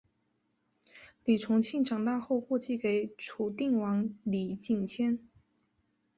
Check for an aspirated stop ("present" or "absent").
present